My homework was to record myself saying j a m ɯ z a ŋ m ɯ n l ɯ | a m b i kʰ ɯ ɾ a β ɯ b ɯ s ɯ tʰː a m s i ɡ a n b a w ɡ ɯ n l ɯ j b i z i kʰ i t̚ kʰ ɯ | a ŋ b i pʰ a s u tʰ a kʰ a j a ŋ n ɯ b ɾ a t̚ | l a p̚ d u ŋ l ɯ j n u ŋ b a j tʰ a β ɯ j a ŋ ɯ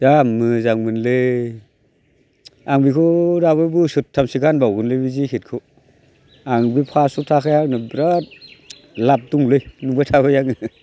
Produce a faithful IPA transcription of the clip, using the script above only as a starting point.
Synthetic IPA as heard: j a m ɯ z a ŋ m ɯ n l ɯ | a ŋ b i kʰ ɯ ɾ a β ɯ b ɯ s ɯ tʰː a m s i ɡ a n b a w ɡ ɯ n l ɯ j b i z i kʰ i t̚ kʰ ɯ | a ŋ b i pʰ a s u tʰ a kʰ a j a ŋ n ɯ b ɾ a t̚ | l a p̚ d u ŋ l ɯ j n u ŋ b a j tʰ a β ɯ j a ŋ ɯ